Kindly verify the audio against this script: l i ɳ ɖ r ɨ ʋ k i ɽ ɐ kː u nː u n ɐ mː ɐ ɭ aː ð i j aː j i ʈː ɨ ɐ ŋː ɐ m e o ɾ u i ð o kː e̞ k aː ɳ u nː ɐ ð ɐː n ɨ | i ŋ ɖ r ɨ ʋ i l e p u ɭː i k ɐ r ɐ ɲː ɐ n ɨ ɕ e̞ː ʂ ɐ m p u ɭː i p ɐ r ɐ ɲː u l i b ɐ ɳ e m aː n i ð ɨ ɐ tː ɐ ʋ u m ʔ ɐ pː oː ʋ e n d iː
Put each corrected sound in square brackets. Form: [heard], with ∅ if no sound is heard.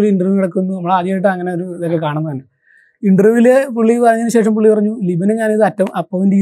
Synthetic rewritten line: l i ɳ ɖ r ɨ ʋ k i ɽ ɐ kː u nː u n ɐ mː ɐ ɭ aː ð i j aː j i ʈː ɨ ɐ ŋː ɐ [n] e o ɾ u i ð o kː e̞ k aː ɳ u nː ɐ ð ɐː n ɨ | i [ɳ] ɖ r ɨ ʋ i l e p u ɭː i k ɐ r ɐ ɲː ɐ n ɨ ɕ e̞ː ʂ ɐ m p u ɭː i p ɐ r ɐ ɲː u l i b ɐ [n] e [ɲ] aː n i ð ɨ ɐ tː ɐ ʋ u m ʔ ɐ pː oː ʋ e n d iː